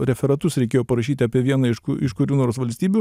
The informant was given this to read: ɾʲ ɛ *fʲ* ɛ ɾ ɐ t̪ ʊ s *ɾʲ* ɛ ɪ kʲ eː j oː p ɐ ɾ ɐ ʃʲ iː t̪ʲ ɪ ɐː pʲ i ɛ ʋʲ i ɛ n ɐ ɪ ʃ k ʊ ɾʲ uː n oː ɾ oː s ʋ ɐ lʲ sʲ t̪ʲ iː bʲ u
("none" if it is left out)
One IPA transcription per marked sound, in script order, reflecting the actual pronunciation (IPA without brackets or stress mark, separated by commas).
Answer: fʲ, ɾʲ